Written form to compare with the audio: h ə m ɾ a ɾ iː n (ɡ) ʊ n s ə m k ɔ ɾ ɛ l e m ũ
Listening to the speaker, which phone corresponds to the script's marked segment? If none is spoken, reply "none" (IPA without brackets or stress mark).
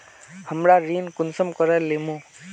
k